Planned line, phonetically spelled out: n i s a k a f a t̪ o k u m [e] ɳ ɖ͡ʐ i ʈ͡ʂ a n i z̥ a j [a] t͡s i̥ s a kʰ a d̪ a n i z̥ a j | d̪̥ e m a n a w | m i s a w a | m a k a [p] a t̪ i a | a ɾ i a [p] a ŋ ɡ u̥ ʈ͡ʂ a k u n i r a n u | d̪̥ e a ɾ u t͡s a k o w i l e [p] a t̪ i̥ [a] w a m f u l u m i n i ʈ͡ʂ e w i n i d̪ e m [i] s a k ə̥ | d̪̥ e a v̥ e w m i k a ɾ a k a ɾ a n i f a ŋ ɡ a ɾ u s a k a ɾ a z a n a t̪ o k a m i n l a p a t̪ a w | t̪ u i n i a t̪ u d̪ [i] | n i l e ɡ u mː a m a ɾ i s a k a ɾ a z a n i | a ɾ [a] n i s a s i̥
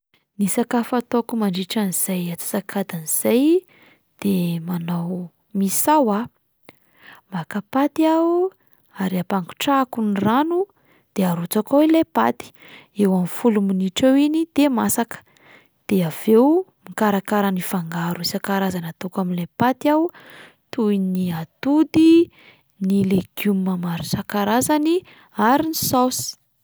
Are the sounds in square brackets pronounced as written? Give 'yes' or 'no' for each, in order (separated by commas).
no, yes, yes, yes, yes, no, no, yes, no